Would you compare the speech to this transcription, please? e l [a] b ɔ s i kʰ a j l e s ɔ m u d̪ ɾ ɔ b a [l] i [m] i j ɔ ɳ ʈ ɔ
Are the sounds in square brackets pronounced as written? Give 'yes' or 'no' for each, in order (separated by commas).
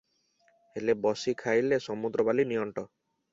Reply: no, yes, no